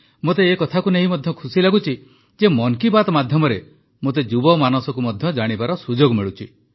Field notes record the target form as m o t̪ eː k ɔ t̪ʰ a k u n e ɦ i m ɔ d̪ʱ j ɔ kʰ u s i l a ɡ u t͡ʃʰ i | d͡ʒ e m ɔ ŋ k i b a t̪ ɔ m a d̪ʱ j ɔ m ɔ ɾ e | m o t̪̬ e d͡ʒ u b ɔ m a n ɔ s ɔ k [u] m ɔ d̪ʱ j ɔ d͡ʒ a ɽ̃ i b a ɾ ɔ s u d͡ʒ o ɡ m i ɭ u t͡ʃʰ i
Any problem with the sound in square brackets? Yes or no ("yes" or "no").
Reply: no